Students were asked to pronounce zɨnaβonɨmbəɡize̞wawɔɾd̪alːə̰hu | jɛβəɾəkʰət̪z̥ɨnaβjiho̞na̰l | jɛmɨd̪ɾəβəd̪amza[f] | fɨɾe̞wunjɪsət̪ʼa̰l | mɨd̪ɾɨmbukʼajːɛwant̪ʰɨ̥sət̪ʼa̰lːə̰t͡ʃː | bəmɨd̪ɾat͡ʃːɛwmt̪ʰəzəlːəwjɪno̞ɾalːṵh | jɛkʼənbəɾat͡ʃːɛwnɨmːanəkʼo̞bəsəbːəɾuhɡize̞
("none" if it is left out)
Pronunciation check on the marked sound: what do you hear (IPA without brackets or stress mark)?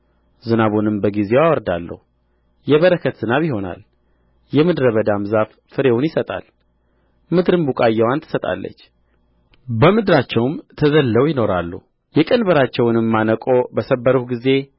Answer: f